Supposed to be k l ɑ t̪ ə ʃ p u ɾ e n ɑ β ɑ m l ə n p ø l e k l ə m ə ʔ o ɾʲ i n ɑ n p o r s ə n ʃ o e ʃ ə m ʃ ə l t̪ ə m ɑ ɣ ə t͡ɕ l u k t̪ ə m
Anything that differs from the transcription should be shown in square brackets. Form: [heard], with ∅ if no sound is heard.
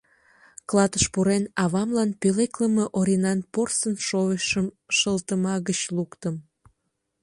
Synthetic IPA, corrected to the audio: k l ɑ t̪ ə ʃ p u ɾ e n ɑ β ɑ m l [ɑ] n p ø l e k l ə m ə ʔ o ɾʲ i n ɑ n p o r s ə n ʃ o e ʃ ə m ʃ ə l t̪ ə m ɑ ɣ ə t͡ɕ l u k t̪ ə m

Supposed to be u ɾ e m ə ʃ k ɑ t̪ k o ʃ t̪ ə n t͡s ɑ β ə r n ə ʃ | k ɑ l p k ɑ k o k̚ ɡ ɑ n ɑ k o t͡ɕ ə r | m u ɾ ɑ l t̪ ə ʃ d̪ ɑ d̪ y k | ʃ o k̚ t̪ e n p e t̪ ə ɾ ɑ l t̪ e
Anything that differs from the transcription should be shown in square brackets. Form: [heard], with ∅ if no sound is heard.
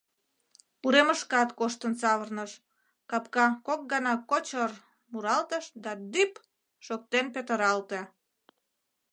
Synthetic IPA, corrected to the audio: u ɾ e m ə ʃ k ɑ t̪ k o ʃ t̪ ə n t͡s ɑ β ə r n ə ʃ | k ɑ [∅] p k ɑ k o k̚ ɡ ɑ n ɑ k o t͡ɕ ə r | m u ɾ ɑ l t̪ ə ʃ d̪ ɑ d̪ y [p] | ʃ o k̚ t̪ e n p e t̪ ə ɾ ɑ l t̪ e

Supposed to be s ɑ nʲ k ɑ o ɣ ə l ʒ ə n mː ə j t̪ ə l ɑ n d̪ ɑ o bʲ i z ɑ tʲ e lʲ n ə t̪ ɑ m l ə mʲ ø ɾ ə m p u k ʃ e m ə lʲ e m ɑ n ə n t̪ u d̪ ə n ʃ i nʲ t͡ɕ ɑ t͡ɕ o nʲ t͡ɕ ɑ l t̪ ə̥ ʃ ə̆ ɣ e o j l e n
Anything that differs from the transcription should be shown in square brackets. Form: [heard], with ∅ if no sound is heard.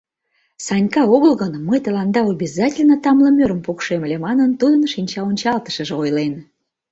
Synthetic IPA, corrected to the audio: s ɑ nʲ k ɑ o ɣ ə l [ɣ] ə n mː ə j t̪ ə l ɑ n d̪ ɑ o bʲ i z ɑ tʲ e lʲ n ə t̪ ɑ m l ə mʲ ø ɾ ə m p u k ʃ e m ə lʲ e m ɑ n ə n t̪ u d̪ ə n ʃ i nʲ t͡ɕ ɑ [∅] o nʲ t͡ɕ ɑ l t̪ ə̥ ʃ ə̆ [ʒ] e o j l e n

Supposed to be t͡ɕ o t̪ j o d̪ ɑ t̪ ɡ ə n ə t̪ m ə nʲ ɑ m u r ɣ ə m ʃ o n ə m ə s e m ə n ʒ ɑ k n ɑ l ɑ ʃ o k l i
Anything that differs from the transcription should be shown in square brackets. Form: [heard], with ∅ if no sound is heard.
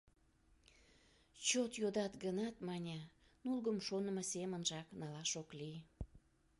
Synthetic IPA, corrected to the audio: t͡ɕ o t̪ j o d̪ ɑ t̪ ɡ ə n [ɑ] t̪ m [ɑ] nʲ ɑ [n] u [l] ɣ ə m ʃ o n ə m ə s e m ə n ʒ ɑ k n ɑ l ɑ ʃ o k l i

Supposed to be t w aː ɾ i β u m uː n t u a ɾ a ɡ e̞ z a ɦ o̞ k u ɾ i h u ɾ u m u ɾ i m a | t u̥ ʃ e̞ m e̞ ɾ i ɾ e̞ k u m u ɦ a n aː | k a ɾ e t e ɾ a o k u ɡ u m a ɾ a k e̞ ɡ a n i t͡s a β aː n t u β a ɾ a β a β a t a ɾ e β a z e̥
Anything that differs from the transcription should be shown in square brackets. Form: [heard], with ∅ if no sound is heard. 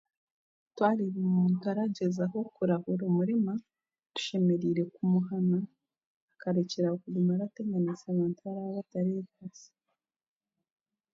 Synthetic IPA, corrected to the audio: t w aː ɾ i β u m uː n t u a ɾ a [ɟ] e̞ z a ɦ o̞ k u ɾ [a] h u ɾ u m u ɾ i m a | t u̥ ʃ e̞ m e̞ ɾ i ɾ e̞ k u m u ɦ a n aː | k a ɾ e [c] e ɾ a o k u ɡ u m a ɾ a [t] e̞ ɡ a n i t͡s a β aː n t u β a ɾ a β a β a t a ɾ e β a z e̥

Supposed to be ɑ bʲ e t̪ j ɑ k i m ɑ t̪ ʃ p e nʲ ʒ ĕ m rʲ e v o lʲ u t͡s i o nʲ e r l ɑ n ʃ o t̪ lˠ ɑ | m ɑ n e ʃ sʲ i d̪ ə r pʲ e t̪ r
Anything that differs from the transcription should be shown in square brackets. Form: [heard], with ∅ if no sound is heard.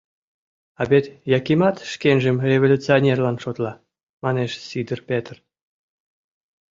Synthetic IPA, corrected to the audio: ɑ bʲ e t̪ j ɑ k i m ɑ t̪ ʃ [k] e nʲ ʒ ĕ m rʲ e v o lʲ u t͡s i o nʲ e r l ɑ n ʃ o t̪ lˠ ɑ | m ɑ n e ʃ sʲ i d̪ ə r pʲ e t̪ r

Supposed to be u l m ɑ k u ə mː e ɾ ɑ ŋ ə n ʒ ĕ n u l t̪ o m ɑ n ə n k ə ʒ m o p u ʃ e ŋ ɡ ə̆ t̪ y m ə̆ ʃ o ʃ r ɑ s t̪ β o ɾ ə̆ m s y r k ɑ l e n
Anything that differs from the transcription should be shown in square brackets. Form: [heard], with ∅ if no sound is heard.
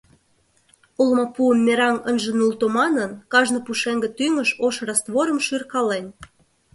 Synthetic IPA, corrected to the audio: u l m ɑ [p] u ə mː e ɾ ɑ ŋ ə n ʒ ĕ n u l t̪ o m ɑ n ə n k [ɑ] ʒ [n] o p u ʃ e ŋ ɡ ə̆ t̪ y [ŋ] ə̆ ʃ o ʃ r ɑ s t̪ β o ɾ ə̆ m [ʃ] y r k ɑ l e n

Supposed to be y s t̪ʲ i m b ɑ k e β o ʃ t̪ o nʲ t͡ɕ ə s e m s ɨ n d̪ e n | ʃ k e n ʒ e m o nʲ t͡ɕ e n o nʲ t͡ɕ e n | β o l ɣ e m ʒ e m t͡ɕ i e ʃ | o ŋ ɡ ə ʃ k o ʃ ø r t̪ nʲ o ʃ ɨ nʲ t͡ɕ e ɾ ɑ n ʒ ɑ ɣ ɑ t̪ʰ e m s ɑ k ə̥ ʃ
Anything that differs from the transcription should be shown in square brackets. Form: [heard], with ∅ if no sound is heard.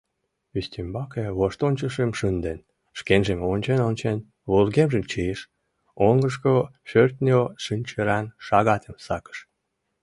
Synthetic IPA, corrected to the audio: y s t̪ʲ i m b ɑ k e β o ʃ t̪ o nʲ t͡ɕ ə [ʃ] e m [ʃ] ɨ n d̪ e n | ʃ k e n ʒ e m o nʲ t͡ɕ e n o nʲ t͡ɕ e n | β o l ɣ e m ʒ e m t͡ɕ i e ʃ | o ŋ ɡ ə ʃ k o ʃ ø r t̪ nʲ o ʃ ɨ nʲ t͡ɕ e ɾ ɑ n [ʃ] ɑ ɣ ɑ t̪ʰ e m s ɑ k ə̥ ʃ

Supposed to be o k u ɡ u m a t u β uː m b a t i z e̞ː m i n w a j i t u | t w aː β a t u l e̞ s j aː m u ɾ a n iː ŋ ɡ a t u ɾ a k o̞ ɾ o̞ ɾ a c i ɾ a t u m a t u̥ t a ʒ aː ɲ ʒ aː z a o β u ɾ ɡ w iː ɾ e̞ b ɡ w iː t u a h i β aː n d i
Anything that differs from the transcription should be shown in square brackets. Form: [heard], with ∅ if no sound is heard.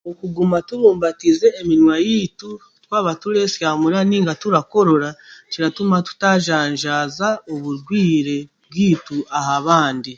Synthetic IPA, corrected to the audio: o k u ɡ u m a t u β uː m b a t i z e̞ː m i n w a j i t u | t w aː β a t u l e̞ s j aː m u ɾ a n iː ŋ ɡ a t u ɾ a k o̞ ɾ o̞ ɾ a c i ɾ a t u m a t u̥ t a ʒ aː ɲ ʒ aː z a o β u ɾ ɡ w iː ɾ e̞ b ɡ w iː t u a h [a] β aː n d i

